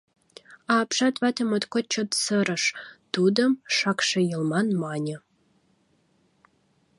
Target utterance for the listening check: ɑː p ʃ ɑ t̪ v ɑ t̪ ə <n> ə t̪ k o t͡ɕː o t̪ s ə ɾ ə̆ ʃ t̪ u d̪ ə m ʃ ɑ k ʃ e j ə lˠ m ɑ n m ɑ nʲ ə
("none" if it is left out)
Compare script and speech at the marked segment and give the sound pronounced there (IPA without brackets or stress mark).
m